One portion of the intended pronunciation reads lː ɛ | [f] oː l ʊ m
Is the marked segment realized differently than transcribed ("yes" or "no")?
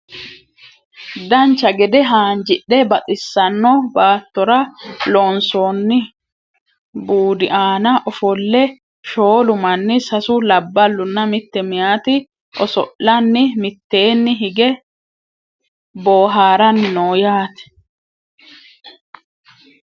yes